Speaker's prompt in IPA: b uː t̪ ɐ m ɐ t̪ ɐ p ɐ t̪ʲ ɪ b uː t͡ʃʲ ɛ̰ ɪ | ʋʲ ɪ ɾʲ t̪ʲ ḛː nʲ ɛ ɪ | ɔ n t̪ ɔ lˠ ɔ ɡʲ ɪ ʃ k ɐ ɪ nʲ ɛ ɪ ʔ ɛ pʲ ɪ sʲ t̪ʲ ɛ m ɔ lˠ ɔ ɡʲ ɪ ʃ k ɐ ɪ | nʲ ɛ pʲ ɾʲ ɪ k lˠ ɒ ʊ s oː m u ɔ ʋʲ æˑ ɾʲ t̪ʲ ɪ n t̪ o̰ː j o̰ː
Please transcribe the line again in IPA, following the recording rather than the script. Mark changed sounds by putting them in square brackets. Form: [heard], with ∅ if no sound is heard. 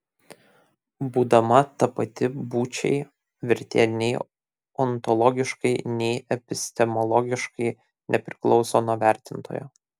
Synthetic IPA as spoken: b uː [d̪] ɐ m ɐ t̪ ɐ p ɐ t̪ʲ ɪ b uː t͡ʃʲ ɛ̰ ɪ | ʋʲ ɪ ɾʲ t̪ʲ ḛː nʲ ɛ ɪ | ɔ n t̪ ɔ lˠ ɔ ɡʲ ɪ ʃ k ɐ ɪ nʲ ɛ ɪ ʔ ɛ pʲ ɪ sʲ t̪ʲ ɛ m ɔ lˠ ɔ ɡʲ ɪ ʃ k ɐ ɪ | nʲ ɛ pʲ ɾʲ ɪ k lˠ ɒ ʊ s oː [n] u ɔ ʋʲ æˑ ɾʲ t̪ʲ ɪ n t̪ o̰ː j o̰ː